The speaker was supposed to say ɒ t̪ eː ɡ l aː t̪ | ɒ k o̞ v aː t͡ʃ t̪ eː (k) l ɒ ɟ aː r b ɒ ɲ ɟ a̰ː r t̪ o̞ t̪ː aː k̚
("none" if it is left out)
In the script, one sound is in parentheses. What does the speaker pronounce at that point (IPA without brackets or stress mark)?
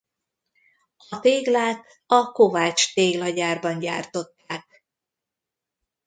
ɡ